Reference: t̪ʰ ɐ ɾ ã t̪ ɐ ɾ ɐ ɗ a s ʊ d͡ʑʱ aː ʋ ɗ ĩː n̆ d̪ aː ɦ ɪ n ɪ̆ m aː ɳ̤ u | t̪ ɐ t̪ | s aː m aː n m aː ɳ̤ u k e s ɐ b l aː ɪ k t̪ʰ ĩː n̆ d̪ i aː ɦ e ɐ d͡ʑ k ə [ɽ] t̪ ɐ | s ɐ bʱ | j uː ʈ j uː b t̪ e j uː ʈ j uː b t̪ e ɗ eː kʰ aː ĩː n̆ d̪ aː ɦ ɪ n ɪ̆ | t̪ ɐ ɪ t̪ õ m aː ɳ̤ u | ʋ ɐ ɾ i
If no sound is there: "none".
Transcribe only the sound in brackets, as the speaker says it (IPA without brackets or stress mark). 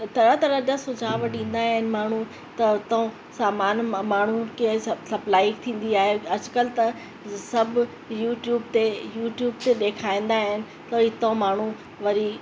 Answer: l